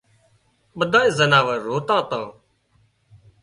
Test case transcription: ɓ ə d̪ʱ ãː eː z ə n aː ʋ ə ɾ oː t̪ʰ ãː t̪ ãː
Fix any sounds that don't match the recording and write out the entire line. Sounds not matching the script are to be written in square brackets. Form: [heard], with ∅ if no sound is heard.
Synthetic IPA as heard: ɓ ə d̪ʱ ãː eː z ə n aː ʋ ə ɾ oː [t̪] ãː t̪ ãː